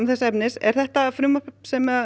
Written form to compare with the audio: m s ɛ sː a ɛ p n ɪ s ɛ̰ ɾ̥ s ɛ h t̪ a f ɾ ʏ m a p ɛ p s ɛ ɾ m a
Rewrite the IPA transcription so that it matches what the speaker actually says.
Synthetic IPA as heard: m θ ɛ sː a ɛ p n ɪ s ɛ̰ ɾ̥ θ ɛ h t̪ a f ɾ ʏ m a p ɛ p s ɛ m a

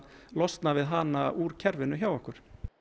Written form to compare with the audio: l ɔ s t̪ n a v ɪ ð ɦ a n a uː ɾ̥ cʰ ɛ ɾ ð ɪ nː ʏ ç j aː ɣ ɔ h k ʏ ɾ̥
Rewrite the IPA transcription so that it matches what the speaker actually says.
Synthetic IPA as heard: l ɔ s t̪ n a v ɪ ð ɦ a n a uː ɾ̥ cʰ ɛ ɾ v ɪ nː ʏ ç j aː w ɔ h k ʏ ɾ̥

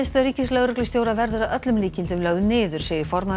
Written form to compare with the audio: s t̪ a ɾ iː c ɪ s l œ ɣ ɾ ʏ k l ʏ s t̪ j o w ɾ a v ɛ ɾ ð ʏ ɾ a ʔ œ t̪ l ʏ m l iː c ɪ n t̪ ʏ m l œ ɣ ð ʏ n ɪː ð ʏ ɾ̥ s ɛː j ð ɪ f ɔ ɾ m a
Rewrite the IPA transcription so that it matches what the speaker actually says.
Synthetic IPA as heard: s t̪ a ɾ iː c ɪ s l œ ɣ ɾ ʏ k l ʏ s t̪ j o w ɾ a v ɛ ɾ ð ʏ ɾ a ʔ œ t̪ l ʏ m l iː c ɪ n t̪ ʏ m l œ ɣ ð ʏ n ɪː ð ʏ ɾ̥ s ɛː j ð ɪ f ɔ ɾ m a

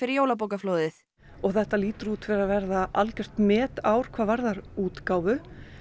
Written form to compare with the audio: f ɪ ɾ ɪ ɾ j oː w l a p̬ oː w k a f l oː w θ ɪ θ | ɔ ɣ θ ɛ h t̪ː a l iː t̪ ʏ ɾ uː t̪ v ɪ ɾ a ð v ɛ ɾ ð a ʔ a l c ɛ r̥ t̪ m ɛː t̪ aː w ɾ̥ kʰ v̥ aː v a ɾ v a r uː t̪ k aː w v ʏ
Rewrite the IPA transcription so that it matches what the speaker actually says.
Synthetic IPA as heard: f ɪ ɾ ɪ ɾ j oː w l a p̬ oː w k a f l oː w ð ɪ θ | ɔ ɣ θ ɛ h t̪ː a l iː t̪ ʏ ɾ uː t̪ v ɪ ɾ a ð v ɛ ɾ ð a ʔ a l c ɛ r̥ t̪ m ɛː t̪ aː w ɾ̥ kʰ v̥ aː v a ɾ ð a ɾ uː t̪ k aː w v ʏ

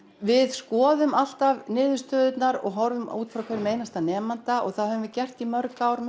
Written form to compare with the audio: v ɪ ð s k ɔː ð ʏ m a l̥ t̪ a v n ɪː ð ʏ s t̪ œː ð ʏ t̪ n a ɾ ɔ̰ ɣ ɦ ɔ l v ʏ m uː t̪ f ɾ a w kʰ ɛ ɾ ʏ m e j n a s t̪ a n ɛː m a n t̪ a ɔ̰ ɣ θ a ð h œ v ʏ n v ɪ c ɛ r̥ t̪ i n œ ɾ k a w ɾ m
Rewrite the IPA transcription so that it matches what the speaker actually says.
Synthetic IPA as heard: v ɪ ð s k ɔː ð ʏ m a l̥ t̪ a v n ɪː ð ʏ s t̪ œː ð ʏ t̪ n a ɾ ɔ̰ ɣ ɦ ɔ ɾ v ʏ m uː t̪ f ɾ a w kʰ ɛ ɾ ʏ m e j n a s t̪ a n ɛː m a n t̪ a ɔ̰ ɣ θ a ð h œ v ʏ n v ɪ c ɛ r̥ t̪ i m œ ɾ k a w ɾ m

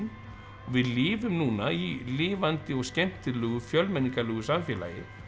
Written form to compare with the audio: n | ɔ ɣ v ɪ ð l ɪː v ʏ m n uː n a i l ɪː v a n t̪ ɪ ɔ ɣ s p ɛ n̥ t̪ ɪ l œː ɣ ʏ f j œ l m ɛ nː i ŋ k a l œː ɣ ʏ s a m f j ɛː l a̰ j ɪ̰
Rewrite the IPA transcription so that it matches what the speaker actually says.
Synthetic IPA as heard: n | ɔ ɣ v ɪ ð l ɪː v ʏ m n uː n a i l ɪː v a n t̪ ɪ ɔ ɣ s c ɛ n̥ t̪ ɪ l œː ɣ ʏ f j œ l m ɛ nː i ŋ k a l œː ɣ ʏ s a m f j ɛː l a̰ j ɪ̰

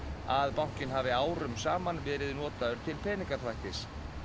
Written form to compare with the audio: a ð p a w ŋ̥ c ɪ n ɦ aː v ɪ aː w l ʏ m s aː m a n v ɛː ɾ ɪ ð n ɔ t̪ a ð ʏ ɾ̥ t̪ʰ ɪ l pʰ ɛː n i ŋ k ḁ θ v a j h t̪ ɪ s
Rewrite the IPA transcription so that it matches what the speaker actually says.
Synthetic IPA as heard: a ð p a w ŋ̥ c ɪ n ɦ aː v ɪ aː w ɾ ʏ m s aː m a n v ɛː ɾ ɪ ð n ɔː t̪ a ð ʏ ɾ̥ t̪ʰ ɪ l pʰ ɛː n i ŋ k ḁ θ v a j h t̪ ɪ s

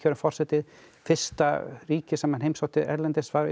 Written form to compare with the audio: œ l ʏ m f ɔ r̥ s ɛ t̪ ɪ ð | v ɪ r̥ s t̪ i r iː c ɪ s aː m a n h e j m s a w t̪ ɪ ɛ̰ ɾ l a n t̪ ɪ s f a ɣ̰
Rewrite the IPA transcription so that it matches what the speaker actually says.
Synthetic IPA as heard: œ ɾ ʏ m f ɔ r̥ s ɛ t̪ ɪ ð | f ɪ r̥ s t̪ a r iː c ɪ s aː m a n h e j m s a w t̪ ɪ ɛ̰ ɾ l ɛ n t̪ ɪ s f a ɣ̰

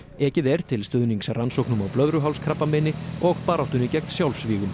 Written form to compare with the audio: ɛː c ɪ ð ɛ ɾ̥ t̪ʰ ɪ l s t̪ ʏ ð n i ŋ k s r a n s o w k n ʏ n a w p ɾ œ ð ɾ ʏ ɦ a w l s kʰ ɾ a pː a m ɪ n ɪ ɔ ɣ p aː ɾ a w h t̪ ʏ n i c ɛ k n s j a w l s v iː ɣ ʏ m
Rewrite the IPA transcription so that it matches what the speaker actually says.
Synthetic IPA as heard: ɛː c ɪ ð ɛ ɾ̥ t̪ʰ ɪ l s t̪ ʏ ð n i ŋ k s r a n s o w k n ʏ m a w p l œ ð ɾ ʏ ɦ a w l s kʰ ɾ a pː a m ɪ n ɪ ɔ ɣ p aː ɾ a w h t̪ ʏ n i c ɛ k n s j a w l s v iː ɣ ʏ m

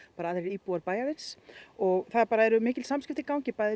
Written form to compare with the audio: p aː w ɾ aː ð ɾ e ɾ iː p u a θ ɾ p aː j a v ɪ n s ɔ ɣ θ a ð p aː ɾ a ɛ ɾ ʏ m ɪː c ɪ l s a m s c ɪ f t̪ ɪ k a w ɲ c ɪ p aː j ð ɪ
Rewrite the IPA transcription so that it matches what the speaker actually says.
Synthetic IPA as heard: p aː ɾ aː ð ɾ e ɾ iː p u a ɾ p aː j a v ɪ n s ɔ ɣ θ a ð p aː ɾ a ɛ ɾ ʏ m ɪː c ɪ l s a m s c ɪ f t̪ ɪ k a w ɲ c ɪ p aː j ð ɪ

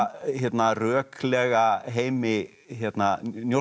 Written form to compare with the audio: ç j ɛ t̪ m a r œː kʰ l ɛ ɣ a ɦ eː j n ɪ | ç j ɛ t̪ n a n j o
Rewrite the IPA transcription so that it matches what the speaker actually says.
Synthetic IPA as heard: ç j ɛ t̪ n a r œː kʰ l ɛ ɣ a ɦ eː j m ɪ | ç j ɛ t̪ n a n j o

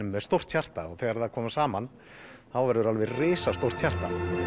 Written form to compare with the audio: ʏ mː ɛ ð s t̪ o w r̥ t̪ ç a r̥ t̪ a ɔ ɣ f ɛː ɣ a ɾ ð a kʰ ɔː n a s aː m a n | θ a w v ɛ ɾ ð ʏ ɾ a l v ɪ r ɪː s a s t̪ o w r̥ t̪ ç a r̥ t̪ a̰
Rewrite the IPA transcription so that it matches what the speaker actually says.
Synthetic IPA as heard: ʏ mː ɛ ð s t̪ o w r̥ t̪ ç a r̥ t̪ a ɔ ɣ θ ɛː ɣ a ɾ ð a kʰ ɔː m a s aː m a n | θ a w v ɛ ɾ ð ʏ ɾ a l v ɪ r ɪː s a s t̪ o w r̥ t̪ ç a r̥ t̪ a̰

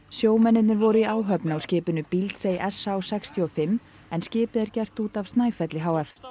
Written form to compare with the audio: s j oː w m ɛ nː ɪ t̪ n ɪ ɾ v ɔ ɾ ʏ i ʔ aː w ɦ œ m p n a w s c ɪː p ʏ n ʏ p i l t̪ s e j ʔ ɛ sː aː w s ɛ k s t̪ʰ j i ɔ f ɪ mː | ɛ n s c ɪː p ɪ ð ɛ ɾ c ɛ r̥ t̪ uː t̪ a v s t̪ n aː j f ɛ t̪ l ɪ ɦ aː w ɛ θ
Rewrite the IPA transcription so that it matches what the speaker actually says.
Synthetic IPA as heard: s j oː w m ɛ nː ɪ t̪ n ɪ ɾ v ɔ ɾ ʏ i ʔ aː w ɦ œ p n a w s c ɪː p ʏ n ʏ p i l t̪ s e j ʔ ɛ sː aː w s ɛ k s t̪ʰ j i ɔ f ɪ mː | ɛ n s c ɪː p ɪ ð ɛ ɾ c ɛ r̥ t̪ uː t̪ a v s t̪ n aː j f ɛ t̪ l ɪ ɦ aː w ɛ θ

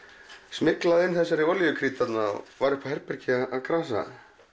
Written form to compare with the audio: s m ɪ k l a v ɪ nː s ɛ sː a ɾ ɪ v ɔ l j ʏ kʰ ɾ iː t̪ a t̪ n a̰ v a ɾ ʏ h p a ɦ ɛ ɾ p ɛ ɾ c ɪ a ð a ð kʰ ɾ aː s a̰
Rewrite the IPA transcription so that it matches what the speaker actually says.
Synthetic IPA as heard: s m ɪ k l a ð ɪ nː θ ɛ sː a ɾ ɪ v ɔ l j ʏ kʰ ɾ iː t̪ a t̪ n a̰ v a ɾ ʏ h p a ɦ ɛ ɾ p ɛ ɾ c ɪ a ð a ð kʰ ɾ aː s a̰

